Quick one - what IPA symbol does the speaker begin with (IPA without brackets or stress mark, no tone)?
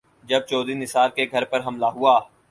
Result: d͡ʒ